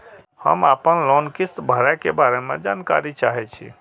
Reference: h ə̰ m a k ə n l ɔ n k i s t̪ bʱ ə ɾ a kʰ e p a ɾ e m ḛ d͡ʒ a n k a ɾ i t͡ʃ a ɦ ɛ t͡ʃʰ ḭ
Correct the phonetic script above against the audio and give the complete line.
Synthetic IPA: h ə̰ m a p ə n l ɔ n k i s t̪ bʱ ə ɾ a k e b a ɾ e m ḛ d͡ʒ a n k a ɾ i t͡ʃ a ɦ ɛ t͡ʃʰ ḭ